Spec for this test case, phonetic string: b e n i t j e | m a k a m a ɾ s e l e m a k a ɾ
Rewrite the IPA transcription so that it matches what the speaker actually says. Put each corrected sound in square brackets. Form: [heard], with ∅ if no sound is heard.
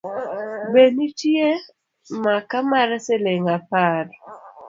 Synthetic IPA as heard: b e n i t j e | m a k a m a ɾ s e l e [ŋ] a [p] a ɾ